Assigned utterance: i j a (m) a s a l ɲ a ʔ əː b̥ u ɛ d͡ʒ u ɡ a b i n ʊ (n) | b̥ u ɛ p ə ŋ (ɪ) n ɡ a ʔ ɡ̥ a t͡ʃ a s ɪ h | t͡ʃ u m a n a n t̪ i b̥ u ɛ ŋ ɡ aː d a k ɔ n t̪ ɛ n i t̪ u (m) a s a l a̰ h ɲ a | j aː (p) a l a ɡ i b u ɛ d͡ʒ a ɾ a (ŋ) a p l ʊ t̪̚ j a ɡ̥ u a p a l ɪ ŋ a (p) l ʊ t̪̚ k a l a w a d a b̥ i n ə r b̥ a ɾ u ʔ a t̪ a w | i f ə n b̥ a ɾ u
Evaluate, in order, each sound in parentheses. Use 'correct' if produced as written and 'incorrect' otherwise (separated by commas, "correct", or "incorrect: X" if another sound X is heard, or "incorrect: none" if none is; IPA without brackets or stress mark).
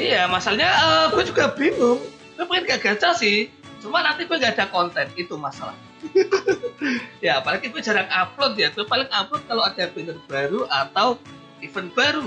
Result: correct, incorrect: m, correct, correct, correct, correct, correct